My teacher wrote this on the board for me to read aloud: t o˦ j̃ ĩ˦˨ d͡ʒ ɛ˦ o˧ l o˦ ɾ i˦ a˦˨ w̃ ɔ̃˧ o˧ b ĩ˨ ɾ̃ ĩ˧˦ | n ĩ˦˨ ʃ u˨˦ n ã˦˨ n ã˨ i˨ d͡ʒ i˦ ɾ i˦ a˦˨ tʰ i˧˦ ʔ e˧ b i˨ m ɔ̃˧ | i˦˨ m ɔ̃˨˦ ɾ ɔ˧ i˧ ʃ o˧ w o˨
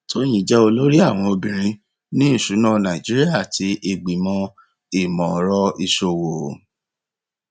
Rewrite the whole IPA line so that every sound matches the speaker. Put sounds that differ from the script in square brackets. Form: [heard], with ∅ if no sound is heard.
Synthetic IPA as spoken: t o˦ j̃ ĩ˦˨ d͡ʒ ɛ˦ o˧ l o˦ ɾ i˦ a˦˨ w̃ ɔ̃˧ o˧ b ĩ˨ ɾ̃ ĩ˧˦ | n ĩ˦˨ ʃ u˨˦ n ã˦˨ n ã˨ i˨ d͡ʒ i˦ ɾ i˦ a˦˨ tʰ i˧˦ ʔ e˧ [ɡ͡b] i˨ m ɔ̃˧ | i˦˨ m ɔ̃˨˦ ɾ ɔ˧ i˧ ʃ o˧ w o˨